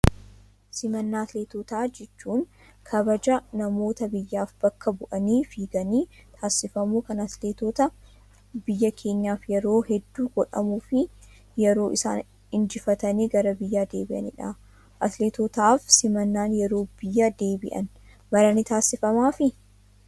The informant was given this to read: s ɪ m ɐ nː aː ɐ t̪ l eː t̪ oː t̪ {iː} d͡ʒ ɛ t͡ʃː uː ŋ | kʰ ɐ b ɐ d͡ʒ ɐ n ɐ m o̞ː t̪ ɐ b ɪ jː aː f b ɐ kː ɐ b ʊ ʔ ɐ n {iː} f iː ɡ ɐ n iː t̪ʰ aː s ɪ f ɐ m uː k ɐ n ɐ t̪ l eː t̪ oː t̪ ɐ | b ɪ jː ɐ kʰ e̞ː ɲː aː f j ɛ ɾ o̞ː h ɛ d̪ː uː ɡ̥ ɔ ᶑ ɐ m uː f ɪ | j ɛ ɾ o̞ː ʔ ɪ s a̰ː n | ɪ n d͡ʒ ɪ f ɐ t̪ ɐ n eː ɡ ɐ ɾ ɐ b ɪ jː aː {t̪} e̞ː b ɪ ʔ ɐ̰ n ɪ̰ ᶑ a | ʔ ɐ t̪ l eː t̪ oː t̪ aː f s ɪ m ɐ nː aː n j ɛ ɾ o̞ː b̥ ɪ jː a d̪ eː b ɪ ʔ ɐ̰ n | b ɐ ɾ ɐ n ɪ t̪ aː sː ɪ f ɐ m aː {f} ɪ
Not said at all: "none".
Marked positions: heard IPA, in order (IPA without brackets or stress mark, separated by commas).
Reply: aː, iː, d̪, f